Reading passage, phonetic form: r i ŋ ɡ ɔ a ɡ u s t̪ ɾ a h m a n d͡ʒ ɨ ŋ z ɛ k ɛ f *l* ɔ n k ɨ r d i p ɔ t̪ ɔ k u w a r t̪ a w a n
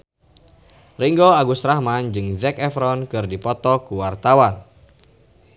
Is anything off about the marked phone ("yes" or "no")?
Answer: yes